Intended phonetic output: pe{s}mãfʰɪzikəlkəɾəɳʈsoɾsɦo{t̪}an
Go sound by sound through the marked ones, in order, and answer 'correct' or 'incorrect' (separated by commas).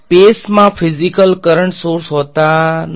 correct, correct